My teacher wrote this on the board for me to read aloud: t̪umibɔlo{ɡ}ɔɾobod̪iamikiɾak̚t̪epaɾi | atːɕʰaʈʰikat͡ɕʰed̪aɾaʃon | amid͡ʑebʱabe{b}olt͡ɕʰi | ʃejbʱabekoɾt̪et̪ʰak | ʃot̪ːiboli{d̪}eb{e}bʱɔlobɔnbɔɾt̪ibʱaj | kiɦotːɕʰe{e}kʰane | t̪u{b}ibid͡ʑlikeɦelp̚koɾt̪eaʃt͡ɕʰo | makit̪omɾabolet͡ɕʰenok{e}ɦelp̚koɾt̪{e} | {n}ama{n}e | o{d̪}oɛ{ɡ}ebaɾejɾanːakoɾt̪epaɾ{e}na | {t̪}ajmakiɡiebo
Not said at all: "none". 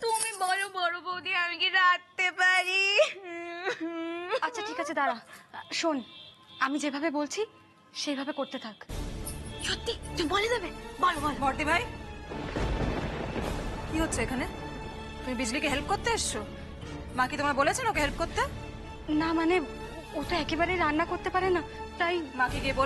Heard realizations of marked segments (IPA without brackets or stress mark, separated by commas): b, b, d̪, e, e, m, e, e, n, n, t̪, k, e, t̪